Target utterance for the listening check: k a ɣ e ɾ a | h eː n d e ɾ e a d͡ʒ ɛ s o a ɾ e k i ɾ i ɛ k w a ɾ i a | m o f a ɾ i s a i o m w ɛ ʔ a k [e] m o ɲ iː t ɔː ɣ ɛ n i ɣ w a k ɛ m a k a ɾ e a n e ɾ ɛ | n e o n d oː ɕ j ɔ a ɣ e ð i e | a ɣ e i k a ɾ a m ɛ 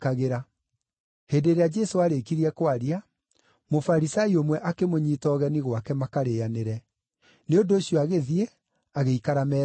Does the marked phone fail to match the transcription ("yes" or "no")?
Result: no